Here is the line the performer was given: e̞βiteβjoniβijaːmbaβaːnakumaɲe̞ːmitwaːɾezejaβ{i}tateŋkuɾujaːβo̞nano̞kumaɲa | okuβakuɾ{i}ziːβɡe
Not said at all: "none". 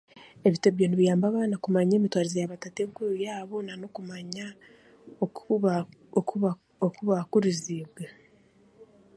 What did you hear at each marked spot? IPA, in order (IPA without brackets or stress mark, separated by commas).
a, i